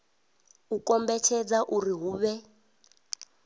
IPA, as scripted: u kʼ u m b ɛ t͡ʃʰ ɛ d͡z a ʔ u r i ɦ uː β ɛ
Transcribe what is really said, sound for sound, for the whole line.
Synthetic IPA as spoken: u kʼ ɔ m b ɛ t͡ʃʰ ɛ d͡z a ʔ u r i ɦ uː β ɛ